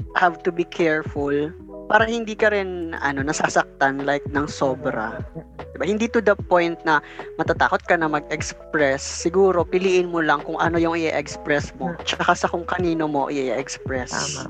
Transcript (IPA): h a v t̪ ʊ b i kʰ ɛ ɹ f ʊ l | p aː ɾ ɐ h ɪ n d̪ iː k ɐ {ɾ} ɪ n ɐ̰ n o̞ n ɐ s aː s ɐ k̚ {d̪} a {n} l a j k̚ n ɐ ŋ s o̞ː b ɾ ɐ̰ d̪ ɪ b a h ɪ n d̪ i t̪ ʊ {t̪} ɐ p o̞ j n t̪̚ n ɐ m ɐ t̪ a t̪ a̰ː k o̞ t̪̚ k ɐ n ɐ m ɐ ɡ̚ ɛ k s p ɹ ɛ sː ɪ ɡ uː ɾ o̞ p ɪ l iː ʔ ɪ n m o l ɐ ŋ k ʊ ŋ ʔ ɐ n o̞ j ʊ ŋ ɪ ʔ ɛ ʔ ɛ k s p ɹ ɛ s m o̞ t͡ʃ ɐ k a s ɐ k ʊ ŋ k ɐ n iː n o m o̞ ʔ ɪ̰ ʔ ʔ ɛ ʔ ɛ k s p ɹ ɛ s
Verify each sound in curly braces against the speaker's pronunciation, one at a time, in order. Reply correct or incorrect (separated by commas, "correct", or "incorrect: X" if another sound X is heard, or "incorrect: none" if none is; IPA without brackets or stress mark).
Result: correct, incorrect: t̪, correct, incorrect: d̪